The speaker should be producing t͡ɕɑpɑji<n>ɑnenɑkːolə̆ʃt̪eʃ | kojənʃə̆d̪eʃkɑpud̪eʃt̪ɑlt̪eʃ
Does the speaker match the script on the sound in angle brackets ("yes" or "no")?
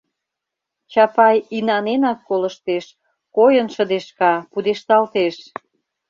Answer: yes